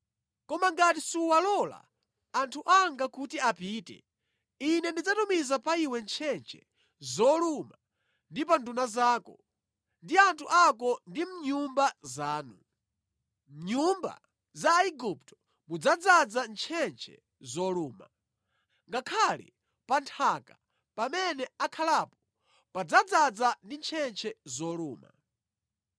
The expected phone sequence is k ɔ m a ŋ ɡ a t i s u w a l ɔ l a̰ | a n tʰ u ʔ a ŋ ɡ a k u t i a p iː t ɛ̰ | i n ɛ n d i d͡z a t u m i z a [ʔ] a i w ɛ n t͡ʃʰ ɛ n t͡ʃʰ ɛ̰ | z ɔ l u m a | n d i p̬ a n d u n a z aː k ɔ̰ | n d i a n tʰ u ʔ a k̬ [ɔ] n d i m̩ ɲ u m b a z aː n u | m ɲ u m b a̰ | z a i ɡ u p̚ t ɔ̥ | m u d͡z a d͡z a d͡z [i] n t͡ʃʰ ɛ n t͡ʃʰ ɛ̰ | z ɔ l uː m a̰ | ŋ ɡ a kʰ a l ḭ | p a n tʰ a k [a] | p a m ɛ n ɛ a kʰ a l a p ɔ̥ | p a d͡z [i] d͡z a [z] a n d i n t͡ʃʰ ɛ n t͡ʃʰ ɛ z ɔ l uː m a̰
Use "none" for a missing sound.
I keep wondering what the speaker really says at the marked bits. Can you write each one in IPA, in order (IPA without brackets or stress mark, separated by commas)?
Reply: p, ɔ, a, a, a, d͡z